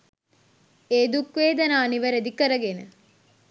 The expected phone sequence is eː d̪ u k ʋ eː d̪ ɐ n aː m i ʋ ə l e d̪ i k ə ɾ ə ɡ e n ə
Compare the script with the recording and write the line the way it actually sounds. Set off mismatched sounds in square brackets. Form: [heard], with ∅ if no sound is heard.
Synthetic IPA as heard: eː d̪ u k ʋ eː d̪ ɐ n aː [n] i ʋ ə [ɾ] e d̪ i k ə ɾ ə ɡ e n ə